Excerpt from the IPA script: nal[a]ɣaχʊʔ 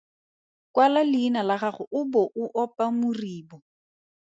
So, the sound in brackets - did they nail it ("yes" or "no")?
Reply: yes